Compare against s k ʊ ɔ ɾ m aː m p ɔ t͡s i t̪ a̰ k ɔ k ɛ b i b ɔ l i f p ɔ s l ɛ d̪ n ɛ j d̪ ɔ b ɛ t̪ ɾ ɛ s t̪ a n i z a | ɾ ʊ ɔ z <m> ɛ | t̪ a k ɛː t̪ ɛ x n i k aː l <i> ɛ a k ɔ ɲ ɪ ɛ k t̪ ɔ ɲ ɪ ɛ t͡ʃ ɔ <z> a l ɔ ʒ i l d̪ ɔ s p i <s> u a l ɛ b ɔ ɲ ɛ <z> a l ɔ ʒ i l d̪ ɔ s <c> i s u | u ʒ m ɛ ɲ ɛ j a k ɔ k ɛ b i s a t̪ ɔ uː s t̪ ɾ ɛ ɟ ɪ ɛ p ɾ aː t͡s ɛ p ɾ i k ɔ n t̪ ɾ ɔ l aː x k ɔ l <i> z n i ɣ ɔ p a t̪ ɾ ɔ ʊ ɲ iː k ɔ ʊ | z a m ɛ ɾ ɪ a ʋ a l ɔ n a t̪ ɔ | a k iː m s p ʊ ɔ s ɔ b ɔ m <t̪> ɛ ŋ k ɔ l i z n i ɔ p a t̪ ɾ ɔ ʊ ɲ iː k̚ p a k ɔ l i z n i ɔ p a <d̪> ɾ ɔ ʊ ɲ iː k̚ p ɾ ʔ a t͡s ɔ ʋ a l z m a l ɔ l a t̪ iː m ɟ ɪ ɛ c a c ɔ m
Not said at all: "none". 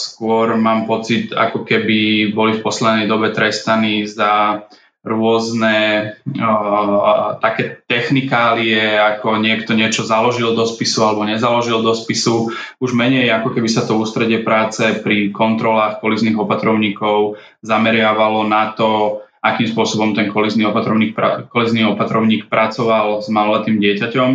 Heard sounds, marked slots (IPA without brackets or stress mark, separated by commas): n, i, z, s, z, p, i, t̪, t̪